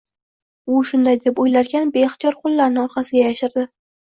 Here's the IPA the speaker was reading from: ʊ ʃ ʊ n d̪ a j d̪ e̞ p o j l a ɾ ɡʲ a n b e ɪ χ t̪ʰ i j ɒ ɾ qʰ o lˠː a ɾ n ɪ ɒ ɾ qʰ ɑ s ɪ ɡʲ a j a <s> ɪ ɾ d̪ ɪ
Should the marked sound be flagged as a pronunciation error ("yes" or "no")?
yes